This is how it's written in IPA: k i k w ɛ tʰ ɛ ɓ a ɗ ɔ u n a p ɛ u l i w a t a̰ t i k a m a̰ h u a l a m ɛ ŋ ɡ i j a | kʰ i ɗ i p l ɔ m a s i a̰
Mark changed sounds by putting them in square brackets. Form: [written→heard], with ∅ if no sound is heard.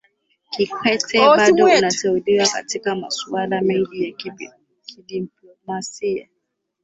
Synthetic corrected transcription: k i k w ɛ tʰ ɛ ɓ a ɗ ɔ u n a [p→t] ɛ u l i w a [t→k] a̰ t i k a m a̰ [h→s] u a l a m ɛ ŋ ɡ i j a | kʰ i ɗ i p l ɔ m a s i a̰

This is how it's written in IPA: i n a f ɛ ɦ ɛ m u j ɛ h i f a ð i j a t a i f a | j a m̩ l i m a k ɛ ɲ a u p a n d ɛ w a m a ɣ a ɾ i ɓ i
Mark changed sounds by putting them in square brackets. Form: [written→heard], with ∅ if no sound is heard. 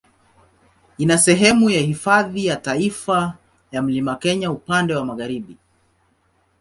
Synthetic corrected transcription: i n a [f→s] ɛ ɦ ɛ m u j [ɛ→a] h i f a ð i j a t a i f a | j a m̩ l i m a k ɛ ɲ a u p a n d ɛ w a m a ɣ a ɾ i ɓ i

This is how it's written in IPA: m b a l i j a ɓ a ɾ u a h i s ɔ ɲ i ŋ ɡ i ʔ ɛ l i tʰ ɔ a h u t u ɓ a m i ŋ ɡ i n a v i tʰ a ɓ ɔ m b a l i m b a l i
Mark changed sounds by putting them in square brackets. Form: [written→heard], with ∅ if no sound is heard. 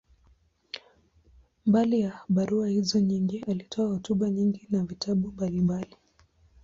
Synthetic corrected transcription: m b a l i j a ɓ a ɾ u a h i [s→z] ɔ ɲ i ŋ ɡ i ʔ [ɛ→a] l i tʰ ɔ a h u t u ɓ a [m→ɲ] i ŋ ɡ i n a v i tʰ a ɓ [ɔ→u] m b a l i m b a l i

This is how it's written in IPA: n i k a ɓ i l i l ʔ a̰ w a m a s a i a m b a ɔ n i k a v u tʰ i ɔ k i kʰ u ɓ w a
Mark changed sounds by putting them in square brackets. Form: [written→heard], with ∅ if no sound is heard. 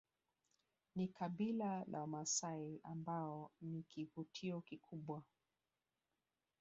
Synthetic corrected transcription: n i k a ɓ i l [i→a] l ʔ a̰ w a m a s a i a m b a ɔ n i k [a→i] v u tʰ i ɔ k i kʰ u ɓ w a

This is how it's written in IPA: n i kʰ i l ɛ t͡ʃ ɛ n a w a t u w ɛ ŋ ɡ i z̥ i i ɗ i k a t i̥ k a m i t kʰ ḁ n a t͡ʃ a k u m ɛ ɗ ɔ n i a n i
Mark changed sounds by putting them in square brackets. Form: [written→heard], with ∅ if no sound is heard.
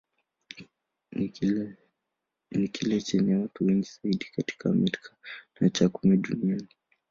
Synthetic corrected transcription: n i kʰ i l ɛ t͡ʃ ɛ n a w a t u w ɛ ŋ ɡ i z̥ [i→a] i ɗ i k a t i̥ k a m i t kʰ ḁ n a t͡ʃ a k u m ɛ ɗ [ɔ→u] n i a n i

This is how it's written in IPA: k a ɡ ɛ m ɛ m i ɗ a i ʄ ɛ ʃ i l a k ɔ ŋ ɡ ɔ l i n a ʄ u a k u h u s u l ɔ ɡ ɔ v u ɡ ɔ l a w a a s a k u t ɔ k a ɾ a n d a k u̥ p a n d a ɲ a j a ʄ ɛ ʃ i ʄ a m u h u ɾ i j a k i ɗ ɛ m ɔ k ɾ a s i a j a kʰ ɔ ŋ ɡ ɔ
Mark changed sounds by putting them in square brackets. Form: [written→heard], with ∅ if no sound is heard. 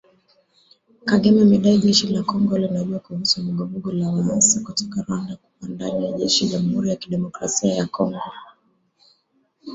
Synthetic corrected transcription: k a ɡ ɛ m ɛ m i ɗ a i ʄ ɛ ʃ i l a k ɔ ŋ ɡ ɔ l i n a ʄ u a k u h u s u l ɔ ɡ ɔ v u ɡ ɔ l a w a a s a k u t ɔ k a ɾ a n d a k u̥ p a n d a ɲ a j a ʄ ɛ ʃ i ʄ a m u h u ɾ i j a k i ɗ ɛ m ɔ k ɾ a s i a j a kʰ ɔ ŋ ɡ ɔ

